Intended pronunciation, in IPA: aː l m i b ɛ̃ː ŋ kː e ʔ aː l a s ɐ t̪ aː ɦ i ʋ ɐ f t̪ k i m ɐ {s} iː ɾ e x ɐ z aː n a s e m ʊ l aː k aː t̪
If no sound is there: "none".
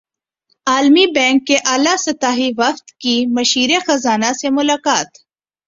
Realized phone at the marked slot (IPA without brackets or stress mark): ʃ